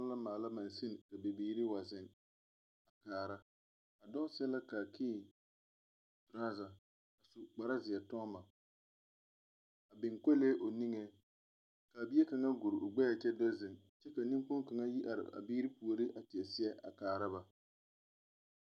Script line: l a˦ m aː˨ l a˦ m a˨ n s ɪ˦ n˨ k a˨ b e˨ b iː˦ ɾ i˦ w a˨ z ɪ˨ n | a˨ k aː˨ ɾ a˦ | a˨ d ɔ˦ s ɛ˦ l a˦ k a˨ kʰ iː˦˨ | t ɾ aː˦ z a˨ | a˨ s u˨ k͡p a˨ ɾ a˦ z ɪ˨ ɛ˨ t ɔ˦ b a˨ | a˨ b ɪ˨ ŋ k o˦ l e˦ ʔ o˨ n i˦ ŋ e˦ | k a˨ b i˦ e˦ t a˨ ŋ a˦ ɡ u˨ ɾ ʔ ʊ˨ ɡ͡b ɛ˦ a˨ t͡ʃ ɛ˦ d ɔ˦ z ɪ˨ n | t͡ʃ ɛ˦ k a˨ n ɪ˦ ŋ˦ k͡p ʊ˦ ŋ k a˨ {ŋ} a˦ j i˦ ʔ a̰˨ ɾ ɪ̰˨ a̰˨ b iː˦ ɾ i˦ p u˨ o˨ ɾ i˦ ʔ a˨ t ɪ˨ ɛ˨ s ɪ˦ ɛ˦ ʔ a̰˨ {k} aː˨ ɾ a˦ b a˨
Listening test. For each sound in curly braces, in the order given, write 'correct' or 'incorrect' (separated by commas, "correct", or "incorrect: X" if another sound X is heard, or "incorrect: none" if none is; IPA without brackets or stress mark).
correct, correct